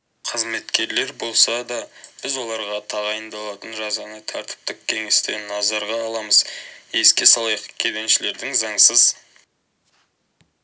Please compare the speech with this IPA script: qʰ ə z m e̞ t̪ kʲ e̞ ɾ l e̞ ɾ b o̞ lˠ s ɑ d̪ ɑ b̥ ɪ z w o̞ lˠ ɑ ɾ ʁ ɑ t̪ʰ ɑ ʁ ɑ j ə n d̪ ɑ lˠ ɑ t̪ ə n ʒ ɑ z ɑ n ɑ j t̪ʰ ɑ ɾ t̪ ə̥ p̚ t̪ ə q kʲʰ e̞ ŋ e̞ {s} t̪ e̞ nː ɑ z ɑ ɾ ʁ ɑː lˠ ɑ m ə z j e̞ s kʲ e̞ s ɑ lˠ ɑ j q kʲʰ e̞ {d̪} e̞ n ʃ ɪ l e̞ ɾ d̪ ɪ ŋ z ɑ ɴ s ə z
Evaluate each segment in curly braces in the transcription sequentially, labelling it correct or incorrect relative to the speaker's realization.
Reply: correct, correct

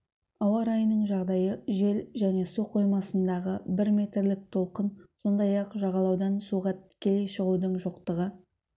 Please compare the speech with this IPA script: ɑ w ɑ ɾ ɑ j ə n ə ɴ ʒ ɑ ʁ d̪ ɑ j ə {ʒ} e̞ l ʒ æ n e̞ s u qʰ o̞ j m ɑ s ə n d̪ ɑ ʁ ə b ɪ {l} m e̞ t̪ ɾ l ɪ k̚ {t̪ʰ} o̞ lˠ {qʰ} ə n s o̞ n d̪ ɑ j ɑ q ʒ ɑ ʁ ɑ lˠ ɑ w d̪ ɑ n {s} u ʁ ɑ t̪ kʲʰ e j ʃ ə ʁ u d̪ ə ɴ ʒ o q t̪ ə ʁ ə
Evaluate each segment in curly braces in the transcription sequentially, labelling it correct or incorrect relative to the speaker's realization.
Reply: correct, incorrect: ɾ, correct, incorrect: q, correct

